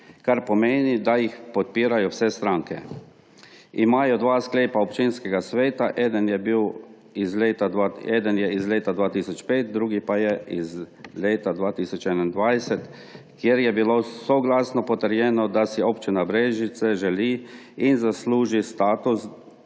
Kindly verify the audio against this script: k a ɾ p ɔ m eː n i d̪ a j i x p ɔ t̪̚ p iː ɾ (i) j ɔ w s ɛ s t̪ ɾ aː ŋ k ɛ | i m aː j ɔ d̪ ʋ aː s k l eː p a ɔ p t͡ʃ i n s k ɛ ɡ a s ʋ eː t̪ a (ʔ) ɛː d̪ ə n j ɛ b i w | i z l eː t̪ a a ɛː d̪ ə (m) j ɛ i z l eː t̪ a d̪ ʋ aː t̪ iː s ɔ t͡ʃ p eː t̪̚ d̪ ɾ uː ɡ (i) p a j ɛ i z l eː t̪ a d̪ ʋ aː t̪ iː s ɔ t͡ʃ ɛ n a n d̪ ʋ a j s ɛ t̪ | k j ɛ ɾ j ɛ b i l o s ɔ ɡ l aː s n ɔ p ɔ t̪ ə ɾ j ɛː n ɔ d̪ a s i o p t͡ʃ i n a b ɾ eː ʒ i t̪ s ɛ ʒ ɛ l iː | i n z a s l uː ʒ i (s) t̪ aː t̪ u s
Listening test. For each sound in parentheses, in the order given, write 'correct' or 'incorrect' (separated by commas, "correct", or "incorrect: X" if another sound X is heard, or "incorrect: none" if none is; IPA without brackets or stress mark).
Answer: incorrect: a, correct, incorrect: n, correct, correct